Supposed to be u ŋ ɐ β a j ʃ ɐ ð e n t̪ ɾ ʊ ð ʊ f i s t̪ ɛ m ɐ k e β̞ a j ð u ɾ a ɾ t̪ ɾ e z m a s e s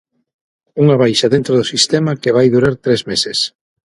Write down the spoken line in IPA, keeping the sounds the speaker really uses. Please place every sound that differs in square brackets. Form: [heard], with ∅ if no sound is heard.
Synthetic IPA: u ŋ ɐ β a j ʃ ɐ ð e n t̪ ɾ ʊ ð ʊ [s] i s t̪ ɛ m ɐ k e β̞ a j ð u ɾ a ɾ t̪ ɾ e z m [e] s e s